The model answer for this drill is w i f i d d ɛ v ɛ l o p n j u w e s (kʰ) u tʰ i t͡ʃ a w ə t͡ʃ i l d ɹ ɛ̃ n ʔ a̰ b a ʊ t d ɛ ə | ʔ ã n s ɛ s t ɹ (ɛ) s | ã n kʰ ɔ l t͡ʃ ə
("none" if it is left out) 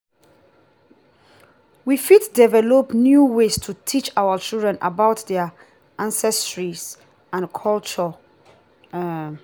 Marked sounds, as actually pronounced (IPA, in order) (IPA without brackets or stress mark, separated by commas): tʰ, i